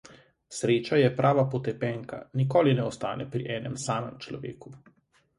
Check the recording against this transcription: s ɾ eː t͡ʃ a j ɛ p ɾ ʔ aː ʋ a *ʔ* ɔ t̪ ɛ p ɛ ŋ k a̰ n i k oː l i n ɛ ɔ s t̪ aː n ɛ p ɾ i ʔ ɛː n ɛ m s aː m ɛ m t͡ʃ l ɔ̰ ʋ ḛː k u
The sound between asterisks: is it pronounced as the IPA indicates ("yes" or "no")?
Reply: no